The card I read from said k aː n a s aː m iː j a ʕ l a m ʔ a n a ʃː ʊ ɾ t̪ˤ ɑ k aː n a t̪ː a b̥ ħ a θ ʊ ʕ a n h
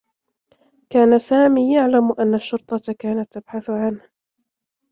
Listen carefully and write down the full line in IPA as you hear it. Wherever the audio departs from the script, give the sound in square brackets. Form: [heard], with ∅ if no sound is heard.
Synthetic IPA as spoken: k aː n a s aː m iː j a ʕ l a m ʔ a [nː] a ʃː ʊ ɾ t̪ˤ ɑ k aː n a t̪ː a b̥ ħ a θ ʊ ʕ a n h